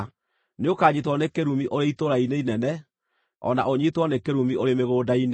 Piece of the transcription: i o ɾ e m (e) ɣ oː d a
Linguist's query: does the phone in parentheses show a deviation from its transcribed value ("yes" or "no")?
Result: no